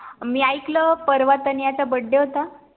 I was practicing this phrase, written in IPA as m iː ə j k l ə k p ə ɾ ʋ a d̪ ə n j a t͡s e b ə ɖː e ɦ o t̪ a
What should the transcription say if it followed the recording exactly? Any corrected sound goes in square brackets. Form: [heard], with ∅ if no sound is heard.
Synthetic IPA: m iː [a] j k l ə [∅] p ə ɾ ʋ a [t̪] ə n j a t͡s [a] b ə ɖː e ɦ o t̪ a